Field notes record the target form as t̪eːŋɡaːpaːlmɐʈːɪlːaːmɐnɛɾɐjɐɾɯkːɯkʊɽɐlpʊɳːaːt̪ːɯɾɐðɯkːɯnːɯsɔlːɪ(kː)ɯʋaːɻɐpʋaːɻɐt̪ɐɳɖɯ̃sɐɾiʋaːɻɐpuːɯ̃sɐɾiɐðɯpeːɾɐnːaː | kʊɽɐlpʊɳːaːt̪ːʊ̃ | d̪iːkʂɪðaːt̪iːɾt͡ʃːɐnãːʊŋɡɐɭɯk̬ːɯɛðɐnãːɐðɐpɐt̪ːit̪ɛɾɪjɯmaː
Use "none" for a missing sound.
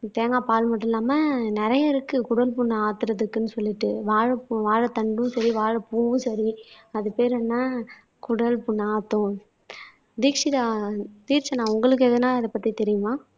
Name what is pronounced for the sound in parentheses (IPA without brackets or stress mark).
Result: ʈː